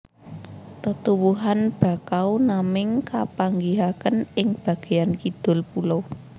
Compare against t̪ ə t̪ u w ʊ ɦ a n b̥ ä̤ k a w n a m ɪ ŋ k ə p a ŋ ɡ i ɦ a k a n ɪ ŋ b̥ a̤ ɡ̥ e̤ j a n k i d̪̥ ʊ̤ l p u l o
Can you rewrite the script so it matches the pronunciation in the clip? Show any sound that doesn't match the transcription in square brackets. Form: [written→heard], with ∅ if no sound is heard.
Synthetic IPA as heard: t̪ ə t̪ u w [ʊ→u] ɦ a n b̥ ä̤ k a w n a m ɪ ŋ k [ə→a] p a ŋ ɡ i ɦ a k [a→ə] n ɪ ŋ b̥ a̤ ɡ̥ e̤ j a n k i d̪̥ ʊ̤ l p u l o

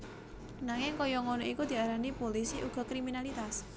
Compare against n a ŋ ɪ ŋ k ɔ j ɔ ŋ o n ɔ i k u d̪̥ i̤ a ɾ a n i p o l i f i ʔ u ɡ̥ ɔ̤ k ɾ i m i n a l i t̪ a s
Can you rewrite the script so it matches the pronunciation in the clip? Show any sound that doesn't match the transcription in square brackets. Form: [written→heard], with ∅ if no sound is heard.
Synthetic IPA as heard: n a ŋ ɪ ŋ k ɔ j ɔ ŋ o n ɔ i k u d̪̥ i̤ a ɾ a n i p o l i [f→s] i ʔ u ɡ̥ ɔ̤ k ɾ i m i n a l i t̪ a s

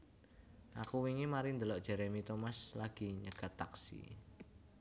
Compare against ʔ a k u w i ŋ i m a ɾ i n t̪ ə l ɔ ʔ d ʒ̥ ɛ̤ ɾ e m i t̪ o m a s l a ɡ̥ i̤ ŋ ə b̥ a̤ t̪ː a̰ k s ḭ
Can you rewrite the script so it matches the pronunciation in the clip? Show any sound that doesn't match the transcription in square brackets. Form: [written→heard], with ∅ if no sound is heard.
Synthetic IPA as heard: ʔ a k u w i ŋ i m a ɾ i n [t̪→d̪] ə l ɔ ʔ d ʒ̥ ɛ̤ ɾ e m i t̪ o m a s l a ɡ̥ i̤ [ŋ→ɲ] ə [b̥→ɡ̥] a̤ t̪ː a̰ k s ḭ

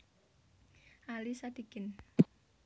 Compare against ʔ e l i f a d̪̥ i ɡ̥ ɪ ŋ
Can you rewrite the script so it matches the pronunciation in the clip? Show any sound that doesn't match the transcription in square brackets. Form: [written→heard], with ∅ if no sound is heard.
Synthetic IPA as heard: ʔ [e→a] l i [f→s] a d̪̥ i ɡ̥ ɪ [ŋ→n]

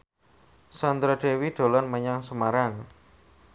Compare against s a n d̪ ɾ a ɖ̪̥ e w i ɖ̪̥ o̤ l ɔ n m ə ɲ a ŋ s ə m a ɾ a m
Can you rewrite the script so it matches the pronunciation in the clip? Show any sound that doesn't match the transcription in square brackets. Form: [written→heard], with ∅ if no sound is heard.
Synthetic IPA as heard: s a n d̪ ɾ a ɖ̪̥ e w i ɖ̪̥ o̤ l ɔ n m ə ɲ a ŋ s ə m a ɾ a [m→ŋ]

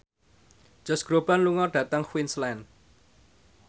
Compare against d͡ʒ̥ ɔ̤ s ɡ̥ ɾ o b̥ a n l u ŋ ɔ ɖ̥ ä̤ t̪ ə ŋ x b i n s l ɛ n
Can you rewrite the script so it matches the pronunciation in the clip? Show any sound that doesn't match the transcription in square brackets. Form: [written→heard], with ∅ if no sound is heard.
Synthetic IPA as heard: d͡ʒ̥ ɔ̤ s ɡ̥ ɾ o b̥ a n l u ŋ ɔ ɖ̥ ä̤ t̪ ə ŋ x [b→w] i n s l ɛ n

